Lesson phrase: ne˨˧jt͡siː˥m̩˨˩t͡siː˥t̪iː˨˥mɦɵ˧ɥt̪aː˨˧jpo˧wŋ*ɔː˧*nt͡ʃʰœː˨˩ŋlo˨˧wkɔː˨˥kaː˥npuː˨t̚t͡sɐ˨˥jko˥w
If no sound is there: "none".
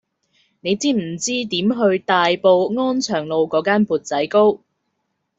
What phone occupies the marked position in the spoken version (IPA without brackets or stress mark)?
ɔː˥